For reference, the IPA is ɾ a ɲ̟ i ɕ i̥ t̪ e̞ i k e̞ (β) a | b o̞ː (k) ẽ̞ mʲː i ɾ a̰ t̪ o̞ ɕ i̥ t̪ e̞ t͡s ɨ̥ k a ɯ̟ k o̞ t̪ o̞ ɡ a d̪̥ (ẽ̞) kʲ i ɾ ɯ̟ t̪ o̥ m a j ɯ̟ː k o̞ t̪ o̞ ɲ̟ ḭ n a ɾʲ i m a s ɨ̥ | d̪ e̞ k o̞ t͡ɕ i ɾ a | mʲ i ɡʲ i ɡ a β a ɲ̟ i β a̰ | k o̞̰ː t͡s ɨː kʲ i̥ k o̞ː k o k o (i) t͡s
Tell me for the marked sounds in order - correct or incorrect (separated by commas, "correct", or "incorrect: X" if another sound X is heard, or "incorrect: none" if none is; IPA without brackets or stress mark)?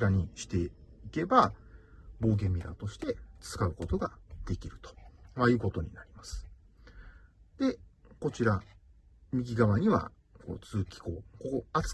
incorrect: b, incorrect: ɡ, incorrect: e̞, incorrect: a